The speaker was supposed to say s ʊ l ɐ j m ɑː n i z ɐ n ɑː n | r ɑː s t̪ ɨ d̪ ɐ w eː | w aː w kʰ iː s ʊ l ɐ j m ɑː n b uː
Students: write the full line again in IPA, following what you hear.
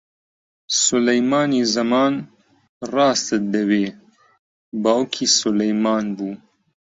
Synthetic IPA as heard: s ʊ l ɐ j m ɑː n i z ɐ m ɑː n | r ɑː s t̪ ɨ d̪ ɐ w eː | b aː w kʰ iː s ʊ l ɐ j m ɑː n b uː